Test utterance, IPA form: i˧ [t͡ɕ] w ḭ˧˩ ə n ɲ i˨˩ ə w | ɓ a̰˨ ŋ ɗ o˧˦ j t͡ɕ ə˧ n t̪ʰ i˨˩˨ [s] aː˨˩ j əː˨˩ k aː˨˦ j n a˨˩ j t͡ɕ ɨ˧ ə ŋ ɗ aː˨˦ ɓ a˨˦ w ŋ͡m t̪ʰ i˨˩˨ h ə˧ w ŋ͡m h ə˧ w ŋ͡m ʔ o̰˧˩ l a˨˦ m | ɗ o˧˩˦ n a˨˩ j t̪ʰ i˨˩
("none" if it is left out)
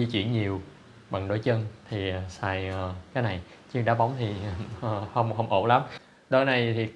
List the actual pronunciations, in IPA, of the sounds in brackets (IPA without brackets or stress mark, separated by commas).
t͡ɕ, s